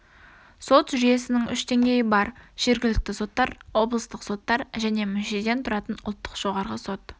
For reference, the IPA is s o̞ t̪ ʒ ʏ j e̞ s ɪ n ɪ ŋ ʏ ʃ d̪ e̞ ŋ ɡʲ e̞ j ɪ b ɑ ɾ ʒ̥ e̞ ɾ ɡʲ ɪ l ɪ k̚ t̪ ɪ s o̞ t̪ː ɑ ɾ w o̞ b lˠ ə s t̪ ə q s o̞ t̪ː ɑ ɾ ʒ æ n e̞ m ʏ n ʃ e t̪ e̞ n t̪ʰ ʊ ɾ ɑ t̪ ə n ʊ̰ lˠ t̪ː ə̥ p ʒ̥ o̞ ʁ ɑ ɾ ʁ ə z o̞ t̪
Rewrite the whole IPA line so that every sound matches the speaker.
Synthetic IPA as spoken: s o̞ t̪ ʒ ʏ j e̞ s ɪ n ɪ ŋ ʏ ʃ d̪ e̞ ŋ ɡʲ e̞ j ɪ b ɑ ɾ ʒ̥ e̞ ɾ ɡʲ ɪ l ɪ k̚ t̪ ɪ s o̞ t̪ː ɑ ɾ w o̞ b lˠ ə s t̪ ə q s o̞ t̪ː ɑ ɾ ʒ æ n e̞ m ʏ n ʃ e d̪ e̞ n t̪ʰ ʊ ɾ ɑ t̪ ə n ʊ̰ lˠ t̪ː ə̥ q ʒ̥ o̞ ʁ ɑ ɾ ʁ ə s o̞ t̪